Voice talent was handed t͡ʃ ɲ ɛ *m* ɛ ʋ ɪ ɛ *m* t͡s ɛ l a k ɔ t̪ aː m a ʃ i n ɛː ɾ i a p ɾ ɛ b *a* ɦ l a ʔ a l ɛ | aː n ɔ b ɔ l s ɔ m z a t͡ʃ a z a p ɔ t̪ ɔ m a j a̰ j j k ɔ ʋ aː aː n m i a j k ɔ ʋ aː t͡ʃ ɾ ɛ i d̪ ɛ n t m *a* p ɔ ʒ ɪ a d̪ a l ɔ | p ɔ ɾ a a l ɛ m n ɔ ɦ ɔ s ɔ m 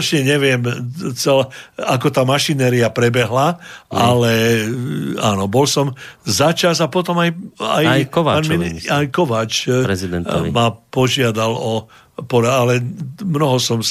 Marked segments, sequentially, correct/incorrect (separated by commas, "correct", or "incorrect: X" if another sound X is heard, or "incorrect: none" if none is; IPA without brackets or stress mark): incorrect: ɲ, correct, incorrect: ɛ, correct